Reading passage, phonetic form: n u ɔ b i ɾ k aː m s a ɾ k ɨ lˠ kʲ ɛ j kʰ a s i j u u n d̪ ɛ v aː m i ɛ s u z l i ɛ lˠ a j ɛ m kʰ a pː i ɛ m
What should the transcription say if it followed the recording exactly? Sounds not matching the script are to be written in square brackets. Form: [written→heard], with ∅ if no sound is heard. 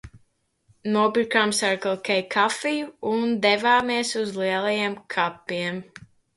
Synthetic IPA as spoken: n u ɔ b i ɾ k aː m s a ɾ k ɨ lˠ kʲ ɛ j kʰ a [s→f] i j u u n d̪ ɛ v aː m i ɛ s u z l i ɛ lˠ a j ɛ m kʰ a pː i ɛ m

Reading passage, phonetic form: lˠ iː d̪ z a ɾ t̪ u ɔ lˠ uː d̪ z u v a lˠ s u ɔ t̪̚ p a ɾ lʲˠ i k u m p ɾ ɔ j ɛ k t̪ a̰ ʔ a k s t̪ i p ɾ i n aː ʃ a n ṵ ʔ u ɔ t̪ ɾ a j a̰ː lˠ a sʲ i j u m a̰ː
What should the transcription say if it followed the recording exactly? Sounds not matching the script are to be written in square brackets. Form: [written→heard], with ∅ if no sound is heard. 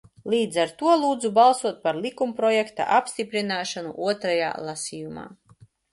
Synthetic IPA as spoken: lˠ iː d̪ z a ɾ t̪ u ɔ lˠ uː d̪ z u [v→b] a lˠ s u ɔ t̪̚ p a ɾ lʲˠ i k u m p ɾ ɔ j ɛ k t̪ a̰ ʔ a [k→p] s t̪ i p ɾ i n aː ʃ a n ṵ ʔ u ɔ t̪ ɾ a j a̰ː lˠ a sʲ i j u m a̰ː

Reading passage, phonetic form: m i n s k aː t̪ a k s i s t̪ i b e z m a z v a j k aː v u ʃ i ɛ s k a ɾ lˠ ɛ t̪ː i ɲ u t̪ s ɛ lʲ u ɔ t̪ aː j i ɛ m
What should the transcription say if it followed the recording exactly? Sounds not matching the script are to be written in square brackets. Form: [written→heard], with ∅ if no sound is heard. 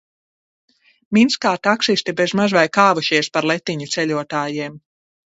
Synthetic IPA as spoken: m i n s k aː t̪ a k s i s t̪ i b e z m a z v a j k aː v u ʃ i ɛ s [k→p] a ɾ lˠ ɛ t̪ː i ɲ u t̪ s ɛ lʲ u ɔ t̪ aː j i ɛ m

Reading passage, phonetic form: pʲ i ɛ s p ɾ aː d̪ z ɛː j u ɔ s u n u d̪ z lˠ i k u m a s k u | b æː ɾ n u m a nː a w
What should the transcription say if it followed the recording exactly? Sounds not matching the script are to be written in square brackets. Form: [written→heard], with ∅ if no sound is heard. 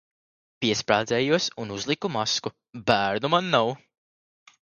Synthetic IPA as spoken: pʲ i ɛ s p ɾ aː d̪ z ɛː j u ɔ s u n u [d̪→∅] z lˠ i k u m a s k u | b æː ɾ n u m a nː a w

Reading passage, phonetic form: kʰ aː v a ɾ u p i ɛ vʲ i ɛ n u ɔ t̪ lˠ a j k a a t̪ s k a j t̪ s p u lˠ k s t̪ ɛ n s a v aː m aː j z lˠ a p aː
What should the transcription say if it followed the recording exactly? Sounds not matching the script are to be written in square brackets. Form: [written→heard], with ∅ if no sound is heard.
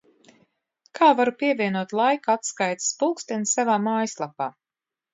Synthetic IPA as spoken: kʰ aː v a ɾ u p i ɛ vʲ i ɛ n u ɔ t̪ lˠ a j k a a t̪ s k a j t̪ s p u lˠ k s t̪ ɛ n s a v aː m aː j [z→s] lˠ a p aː

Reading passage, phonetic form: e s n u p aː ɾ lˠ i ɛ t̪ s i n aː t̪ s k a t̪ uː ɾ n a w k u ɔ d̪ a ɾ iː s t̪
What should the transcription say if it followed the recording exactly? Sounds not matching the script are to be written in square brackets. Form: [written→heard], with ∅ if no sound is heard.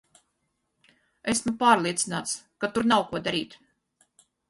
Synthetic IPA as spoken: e s [n→m] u p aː ɾ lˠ i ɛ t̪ s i n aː t̪ s k a t̪ [uː→u] ɾ n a w k u ɔ d̪ a ɾ iː [s→∅] t̪

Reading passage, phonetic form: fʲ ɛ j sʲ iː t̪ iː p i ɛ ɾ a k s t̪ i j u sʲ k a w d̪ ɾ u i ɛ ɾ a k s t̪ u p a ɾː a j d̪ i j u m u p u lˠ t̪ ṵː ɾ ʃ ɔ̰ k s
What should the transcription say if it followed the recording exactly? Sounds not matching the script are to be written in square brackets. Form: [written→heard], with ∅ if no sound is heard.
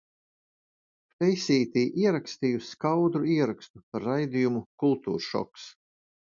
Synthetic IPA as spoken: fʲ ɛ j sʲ iː t̪ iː [p→ʔ] i ɛ ɾ a k s t̪ i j u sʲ k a w d̪ ɾ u i ɛ ɾ a k s t̪ u p a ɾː a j d̪ i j u m u [p→k] u lˠ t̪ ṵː ɾ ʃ ɔ̰ k s

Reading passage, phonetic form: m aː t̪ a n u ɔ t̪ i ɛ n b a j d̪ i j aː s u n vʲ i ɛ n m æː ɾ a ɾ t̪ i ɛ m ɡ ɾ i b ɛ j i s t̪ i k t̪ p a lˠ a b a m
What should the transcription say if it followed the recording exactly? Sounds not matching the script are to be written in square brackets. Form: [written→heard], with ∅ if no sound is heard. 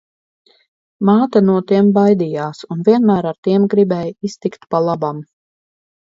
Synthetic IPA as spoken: m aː t̪ a n u ɔ t̪ i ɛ [n→m] b a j d̪ i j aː s u n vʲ i ɛ n m æː ɾ a ɾ t̪ i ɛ m ɡ ɾ i b ɛ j i s t̪ i k t̪ p a lˠ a b a m

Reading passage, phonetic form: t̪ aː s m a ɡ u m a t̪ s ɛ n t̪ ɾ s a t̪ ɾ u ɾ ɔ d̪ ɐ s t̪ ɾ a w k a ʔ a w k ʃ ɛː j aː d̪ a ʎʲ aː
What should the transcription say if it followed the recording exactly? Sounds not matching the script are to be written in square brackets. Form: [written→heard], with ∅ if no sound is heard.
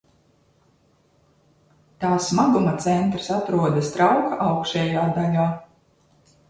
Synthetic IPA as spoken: t̪ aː s m a ɡ u m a t̪ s ɛ n t̪ ɾ s a t̪ ɾ u [ɾ→∅] ɔ d̪ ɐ s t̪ ɾ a w k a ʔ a w k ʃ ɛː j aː d̪ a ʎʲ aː

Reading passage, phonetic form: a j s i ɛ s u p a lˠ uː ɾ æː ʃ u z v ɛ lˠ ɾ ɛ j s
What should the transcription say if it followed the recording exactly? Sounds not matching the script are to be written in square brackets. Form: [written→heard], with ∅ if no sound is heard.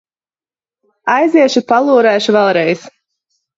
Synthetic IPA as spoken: a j [s→z] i ɛ [s→ʃ] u p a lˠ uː ɾ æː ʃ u [z→∅] v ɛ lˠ ɾ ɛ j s

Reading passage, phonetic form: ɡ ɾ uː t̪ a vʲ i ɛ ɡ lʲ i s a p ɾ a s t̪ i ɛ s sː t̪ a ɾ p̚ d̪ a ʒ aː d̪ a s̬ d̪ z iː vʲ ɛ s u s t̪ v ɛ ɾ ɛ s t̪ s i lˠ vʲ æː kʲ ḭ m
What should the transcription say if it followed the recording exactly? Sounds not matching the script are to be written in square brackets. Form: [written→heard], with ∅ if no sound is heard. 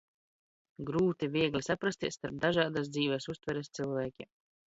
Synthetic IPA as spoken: ɡ ɾ uː t̪ [a→i] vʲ i ɛ ɡ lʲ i s a p ɾ a s t̪ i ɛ s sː t̪ a ɾ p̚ d̪ a ʒ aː d̪ a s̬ d̪ z iː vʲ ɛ s u s t̪ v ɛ ɾ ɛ s t̪ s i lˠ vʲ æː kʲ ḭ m

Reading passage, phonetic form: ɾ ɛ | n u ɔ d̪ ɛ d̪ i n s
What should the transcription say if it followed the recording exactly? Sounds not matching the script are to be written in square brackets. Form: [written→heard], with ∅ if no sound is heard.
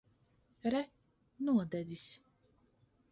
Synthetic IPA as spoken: ɾ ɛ | n u ɔ d̪ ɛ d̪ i [n→∅] s

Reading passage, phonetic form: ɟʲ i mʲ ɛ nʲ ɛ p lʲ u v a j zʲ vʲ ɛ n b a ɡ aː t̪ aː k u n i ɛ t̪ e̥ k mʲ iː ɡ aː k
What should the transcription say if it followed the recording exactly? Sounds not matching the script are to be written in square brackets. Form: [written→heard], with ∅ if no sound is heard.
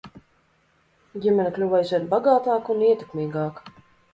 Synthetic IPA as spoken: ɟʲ i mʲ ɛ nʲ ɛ [p→k] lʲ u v a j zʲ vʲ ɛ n b a ɡ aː t̪ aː k u n i ɛ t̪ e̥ k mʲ iː ɡ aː k

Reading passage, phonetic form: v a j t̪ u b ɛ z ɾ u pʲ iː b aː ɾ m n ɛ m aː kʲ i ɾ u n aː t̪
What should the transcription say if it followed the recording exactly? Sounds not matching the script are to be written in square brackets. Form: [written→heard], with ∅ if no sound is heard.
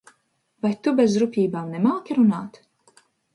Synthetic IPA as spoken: v a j t̪ u b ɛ z ɾ u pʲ iː b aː [ɾ→∅] m n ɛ m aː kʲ i ɾ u n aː t̪

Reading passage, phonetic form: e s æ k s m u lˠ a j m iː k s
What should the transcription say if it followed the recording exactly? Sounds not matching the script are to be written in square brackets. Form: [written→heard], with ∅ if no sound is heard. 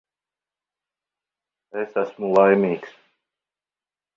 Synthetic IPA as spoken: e s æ [k→∅] s m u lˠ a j m iː k s

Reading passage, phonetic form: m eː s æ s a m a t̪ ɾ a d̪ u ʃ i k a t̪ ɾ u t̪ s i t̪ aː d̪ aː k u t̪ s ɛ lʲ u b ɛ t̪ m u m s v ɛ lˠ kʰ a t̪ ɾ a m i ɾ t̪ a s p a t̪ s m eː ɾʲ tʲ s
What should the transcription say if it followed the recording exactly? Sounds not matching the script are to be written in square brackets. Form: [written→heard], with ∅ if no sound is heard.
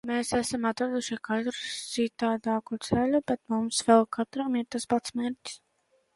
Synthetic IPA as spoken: m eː s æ s a m a t̪ ɾ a d̪ u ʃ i k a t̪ ɾ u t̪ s i t̪ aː d̪ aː k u t̪ s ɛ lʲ u b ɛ t̪ m u m s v ɛ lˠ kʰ a t̪ ɾ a m i ɾ t̪ a s p a t̪ s m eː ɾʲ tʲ s

